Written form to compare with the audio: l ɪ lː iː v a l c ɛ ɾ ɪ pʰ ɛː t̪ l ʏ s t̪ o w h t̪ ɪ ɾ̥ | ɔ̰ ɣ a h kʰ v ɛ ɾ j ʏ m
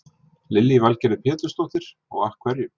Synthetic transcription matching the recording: l ɪ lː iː v a l c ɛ ɾ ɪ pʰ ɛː t̪ l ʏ s t̪ o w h t̪ ɪ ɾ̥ | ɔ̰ ɣ a h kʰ v ɛ ɾ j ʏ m